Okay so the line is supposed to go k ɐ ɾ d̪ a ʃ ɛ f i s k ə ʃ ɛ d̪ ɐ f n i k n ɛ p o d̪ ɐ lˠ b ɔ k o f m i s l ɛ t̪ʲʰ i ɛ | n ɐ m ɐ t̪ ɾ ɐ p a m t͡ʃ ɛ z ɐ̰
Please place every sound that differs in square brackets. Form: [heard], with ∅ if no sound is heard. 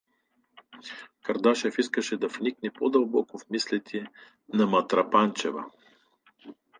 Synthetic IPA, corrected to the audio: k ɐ ɾ d̪ a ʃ ɛ f i s k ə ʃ ɛ d̪ ɐ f n i k n ɛ p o d̪ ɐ lˠ b ɔ k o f m i s l ɛ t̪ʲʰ i ɛ | n ɐ m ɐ t̪ ɾ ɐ p a [n] t͡ʃ ɛ [v] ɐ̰